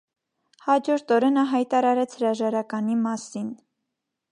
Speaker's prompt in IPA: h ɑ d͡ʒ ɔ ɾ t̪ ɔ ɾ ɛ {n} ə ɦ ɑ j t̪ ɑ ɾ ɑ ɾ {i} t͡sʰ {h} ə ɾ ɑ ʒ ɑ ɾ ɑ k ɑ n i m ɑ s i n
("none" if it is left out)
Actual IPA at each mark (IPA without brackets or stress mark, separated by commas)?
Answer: n, ɛ, h